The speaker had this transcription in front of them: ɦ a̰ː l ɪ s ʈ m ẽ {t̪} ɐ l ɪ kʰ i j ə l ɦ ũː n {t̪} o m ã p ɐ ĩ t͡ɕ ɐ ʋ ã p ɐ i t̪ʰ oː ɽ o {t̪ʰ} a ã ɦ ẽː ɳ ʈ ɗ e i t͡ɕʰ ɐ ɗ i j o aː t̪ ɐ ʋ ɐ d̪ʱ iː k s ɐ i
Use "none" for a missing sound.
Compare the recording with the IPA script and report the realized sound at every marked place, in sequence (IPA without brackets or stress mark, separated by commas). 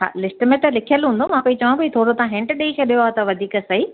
t̪, d̪, t̪